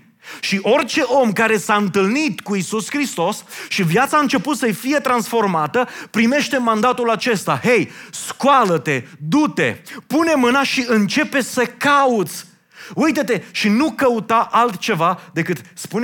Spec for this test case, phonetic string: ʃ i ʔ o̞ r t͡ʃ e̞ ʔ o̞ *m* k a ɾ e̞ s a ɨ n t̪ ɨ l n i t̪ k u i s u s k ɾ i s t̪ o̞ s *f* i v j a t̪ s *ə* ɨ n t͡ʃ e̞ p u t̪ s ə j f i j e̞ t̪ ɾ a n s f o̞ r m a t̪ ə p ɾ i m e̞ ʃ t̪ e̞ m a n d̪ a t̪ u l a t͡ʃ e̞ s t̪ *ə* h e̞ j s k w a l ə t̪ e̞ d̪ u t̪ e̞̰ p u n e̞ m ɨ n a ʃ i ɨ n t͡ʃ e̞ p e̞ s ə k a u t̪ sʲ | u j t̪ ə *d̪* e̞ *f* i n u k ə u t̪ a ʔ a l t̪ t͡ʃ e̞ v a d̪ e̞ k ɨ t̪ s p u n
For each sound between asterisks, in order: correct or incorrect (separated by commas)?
correct, incorrect, incorrect, incorrect, incorrect, incorrect